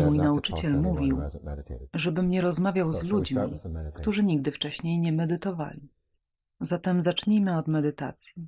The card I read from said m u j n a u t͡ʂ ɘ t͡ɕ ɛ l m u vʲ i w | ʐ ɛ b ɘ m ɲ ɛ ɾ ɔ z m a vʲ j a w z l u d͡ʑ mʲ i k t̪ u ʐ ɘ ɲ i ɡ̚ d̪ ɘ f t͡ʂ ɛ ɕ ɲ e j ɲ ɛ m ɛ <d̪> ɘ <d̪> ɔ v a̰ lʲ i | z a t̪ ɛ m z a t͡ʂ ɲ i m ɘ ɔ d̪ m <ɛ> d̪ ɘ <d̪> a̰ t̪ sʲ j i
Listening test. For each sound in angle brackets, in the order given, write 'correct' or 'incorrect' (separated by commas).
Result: correct, incorrect, correct, incorrect